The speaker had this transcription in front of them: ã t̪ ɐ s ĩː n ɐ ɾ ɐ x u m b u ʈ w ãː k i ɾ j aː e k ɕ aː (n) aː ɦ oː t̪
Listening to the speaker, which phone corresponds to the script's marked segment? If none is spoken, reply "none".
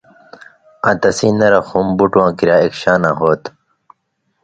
n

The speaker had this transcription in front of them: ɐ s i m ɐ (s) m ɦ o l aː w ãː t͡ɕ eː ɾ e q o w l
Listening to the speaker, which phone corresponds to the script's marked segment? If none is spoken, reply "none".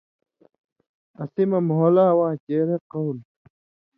none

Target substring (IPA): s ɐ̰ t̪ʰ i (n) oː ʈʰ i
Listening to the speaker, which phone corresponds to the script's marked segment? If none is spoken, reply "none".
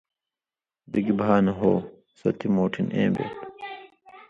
m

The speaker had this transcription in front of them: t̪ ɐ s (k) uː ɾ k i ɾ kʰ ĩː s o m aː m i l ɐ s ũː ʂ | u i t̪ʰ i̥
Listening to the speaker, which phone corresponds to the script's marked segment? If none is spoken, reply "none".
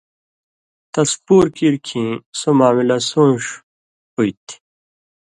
p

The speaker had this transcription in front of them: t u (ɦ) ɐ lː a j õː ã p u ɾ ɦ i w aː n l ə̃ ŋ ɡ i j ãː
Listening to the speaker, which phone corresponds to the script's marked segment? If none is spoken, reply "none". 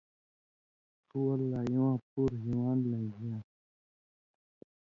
none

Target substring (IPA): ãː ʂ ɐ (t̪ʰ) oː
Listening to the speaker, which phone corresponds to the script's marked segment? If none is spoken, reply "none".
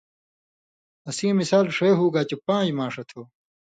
t̪ʰ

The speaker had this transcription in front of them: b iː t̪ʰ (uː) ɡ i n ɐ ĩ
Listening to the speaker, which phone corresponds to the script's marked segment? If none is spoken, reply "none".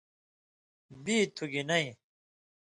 u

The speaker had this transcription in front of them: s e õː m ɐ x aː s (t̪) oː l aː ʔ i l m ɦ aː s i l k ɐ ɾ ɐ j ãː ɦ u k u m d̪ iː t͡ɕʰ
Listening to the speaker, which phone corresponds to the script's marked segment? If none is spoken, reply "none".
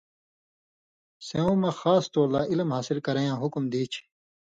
t̪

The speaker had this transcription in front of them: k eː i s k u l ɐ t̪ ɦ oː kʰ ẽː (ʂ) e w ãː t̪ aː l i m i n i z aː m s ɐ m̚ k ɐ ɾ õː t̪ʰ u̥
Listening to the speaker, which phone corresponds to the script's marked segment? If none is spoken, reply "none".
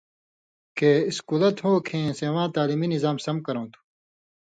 s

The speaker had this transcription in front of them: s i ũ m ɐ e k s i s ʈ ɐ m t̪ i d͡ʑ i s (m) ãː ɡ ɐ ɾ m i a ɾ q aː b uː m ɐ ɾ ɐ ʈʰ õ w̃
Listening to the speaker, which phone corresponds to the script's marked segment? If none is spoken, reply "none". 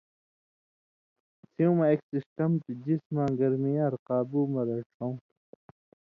m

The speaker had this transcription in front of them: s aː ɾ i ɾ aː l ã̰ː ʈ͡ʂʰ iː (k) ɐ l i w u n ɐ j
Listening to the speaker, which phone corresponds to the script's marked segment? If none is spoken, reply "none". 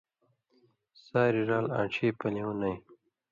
p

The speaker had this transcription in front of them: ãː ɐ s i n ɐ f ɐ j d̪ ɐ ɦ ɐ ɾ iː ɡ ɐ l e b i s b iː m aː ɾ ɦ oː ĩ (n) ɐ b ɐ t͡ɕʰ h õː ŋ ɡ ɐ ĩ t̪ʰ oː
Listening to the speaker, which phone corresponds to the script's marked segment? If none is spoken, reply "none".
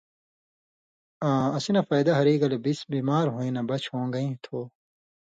n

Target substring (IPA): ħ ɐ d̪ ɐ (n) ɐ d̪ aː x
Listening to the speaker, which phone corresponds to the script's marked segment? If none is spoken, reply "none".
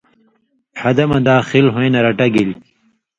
m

